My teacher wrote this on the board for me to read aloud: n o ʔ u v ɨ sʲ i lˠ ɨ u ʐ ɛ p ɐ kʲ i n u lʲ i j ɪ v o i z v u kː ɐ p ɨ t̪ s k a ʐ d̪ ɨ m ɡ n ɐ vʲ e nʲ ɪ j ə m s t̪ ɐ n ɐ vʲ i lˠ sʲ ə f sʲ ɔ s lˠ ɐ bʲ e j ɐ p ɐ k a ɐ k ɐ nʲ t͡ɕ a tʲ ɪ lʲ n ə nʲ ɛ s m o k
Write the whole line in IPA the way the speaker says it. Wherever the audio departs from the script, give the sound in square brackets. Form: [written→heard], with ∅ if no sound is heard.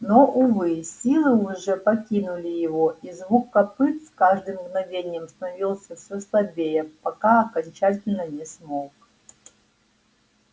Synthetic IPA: n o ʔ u v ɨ sʲ i lˠ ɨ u ʐ ɛ p ɐ kʲ i n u lʲ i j ɪ v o i z v u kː ɐ p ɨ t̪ s k a ʐ d̪ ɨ m ɡ n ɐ vʲ e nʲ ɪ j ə m s t̪ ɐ n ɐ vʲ i lˠ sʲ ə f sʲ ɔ s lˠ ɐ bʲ e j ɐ p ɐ k a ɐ k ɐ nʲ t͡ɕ a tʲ ɪ lʲ n ə nʲ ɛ s m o k